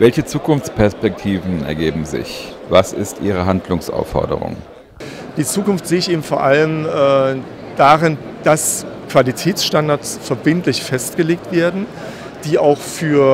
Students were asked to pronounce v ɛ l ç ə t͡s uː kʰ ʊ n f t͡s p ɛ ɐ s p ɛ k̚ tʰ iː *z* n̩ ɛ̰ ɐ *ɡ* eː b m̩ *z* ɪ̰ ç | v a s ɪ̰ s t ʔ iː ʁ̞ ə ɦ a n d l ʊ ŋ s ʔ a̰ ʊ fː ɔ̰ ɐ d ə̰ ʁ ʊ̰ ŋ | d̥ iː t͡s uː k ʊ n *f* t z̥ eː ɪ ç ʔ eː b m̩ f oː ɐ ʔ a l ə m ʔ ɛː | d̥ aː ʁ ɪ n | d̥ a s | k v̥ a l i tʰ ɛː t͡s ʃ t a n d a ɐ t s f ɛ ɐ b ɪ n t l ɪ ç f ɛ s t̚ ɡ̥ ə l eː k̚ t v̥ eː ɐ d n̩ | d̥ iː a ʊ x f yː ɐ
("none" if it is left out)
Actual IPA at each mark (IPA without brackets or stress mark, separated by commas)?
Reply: v, ɡ, z, f